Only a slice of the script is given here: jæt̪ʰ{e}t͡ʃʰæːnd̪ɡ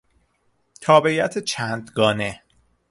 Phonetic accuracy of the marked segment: correct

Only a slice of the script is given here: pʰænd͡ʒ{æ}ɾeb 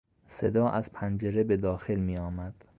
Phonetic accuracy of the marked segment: incorrect: e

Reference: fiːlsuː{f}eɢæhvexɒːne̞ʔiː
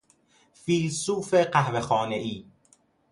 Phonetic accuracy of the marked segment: correct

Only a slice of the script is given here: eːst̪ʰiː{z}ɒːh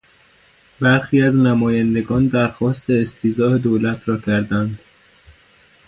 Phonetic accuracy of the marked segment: correct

